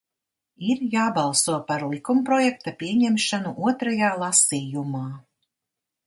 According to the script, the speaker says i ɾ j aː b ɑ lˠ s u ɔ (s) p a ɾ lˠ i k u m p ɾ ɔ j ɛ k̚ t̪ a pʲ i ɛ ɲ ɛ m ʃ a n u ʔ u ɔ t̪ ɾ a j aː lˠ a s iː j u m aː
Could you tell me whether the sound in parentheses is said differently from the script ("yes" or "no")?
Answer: yes